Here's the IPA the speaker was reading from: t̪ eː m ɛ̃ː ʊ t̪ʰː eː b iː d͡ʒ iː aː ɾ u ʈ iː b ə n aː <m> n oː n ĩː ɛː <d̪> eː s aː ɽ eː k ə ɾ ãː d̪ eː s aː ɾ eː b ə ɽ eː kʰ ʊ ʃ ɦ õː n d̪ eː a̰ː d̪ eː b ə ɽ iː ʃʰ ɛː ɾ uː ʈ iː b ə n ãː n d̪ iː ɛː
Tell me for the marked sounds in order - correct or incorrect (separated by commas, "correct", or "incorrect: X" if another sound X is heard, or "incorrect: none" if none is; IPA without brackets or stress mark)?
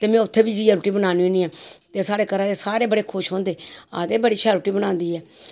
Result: incorrect: none, incorrect: t̪